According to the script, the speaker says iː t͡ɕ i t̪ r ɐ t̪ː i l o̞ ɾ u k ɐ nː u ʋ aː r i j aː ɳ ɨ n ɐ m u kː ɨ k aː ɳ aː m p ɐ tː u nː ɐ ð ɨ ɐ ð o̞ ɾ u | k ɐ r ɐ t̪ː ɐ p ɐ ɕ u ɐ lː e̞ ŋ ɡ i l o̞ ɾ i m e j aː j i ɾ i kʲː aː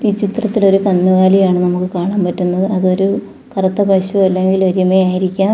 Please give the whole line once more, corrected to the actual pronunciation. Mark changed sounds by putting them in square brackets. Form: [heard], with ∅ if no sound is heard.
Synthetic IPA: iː t͡ɕ i t̪ r ɐ t̪ː i l o̞ ɾ u k ɐ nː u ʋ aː [l] i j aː ɳ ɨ n ɐ m u kː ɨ k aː ɳ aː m p ɐ tː u nː ɐ ð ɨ ɐ ð o̞ ɾ u | k ɐ r ɐ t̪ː ɐ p ɐ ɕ u ɐ lː e̞ ŋ ɡ i l o̞ ɾ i m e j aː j i ɾ i kʲː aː